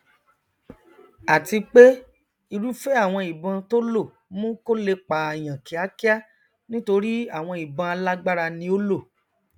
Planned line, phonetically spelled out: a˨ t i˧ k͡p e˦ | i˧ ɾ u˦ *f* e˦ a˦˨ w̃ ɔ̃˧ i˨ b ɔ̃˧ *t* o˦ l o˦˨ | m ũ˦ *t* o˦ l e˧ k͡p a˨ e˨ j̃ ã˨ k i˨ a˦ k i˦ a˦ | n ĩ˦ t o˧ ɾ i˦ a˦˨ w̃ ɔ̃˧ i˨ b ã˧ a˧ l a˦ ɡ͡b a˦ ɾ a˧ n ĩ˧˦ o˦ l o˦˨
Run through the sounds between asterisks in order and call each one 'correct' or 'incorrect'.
correct, correct, incorrect: k

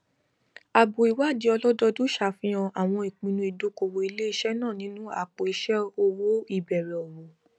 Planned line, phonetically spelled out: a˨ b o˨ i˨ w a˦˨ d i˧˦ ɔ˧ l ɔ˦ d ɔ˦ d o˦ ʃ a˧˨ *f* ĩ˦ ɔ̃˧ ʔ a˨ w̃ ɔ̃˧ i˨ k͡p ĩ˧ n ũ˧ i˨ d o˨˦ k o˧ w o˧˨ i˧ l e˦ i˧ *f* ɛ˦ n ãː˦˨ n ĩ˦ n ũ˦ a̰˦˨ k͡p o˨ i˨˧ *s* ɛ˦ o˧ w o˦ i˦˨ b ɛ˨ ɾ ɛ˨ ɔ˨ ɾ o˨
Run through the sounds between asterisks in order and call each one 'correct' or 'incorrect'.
correct, incorrect: ʃ, incorrect: ʃ

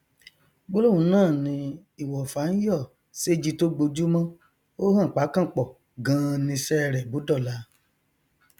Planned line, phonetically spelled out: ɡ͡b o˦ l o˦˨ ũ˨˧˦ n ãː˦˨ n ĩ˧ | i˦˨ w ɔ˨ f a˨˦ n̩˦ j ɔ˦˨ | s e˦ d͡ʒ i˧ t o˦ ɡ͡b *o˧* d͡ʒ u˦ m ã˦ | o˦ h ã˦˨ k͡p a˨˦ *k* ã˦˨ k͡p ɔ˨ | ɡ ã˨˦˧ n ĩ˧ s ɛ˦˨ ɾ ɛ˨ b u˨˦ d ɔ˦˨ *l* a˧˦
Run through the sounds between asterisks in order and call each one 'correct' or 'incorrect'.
correct, correct, correct

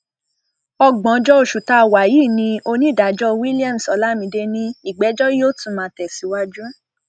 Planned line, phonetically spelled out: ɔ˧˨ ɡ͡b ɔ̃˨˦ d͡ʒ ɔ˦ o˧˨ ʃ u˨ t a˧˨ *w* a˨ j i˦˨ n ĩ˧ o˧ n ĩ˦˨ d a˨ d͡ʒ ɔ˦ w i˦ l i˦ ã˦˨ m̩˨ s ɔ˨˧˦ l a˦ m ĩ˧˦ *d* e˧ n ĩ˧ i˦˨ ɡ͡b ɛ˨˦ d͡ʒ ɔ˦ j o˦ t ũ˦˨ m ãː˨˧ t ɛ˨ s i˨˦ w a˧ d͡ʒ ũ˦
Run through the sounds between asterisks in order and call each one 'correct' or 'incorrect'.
correct, correct

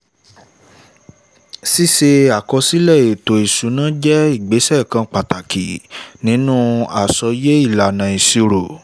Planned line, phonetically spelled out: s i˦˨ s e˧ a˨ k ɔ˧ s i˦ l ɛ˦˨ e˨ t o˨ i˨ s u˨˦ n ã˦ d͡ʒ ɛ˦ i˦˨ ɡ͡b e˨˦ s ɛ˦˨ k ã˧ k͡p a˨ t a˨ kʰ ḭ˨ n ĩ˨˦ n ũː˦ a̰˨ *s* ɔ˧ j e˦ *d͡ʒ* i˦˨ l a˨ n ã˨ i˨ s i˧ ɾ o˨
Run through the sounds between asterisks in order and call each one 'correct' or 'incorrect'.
correct, incorrect: none

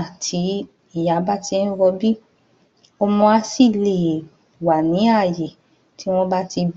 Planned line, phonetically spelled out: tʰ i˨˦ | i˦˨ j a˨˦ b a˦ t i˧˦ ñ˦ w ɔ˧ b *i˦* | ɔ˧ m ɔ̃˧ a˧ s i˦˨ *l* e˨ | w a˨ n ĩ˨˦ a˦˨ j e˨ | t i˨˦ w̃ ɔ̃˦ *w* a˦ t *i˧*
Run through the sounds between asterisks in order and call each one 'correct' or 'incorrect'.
correct, correct, incorrect: b, correct

